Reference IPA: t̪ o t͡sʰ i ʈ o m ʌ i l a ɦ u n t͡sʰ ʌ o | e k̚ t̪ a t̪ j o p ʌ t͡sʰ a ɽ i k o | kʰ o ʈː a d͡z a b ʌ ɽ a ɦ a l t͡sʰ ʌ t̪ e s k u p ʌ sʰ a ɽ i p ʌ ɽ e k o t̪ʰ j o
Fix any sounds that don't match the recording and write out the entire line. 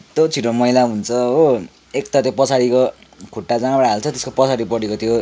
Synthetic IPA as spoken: t̪ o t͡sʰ i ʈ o m ʌ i l a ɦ u n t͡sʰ ʌ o | e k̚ t̪ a t̪ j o p ʌ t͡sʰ a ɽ i k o | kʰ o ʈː a d͡z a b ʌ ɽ a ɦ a l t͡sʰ ʌ t̪ e s k o p ʌ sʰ a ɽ i p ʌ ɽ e k o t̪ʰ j o